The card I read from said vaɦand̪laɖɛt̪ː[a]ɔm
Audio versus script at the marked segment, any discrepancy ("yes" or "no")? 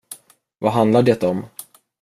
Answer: no